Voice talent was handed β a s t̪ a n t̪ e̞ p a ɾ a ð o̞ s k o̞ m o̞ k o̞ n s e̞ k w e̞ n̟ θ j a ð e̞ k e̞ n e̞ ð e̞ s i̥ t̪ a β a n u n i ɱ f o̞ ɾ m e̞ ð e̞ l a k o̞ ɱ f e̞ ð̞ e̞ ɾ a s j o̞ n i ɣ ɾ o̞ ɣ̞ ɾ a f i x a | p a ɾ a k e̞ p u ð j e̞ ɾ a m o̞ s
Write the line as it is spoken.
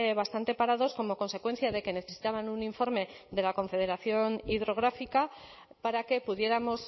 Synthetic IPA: β a s t̪ a n t̪ e̞ p a ɾ a ð o̞ s k o̞ m o̞ k o̞ n s e̞ k w e̞ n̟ θ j a ð e̞ k e̞ n e̞ θ e̞ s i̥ t̪ a β a n u n i ɱ f o̞ ɾ m e̞ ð e̞ l a k o̞ ɱ f e̞ ð̞ e̞ ɾ a θ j o̞ n i ð ɾ o̞ ɣ̞ ɾ a f i k a | p a ɾ a k e̞ p u ð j e̞ ɾ a m o̞ s